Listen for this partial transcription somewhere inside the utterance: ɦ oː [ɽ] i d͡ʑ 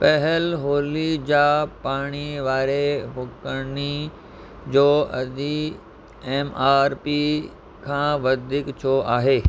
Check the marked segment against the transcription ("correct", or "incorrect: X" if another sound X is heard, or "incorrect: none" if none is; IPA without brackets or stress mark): incorrect: l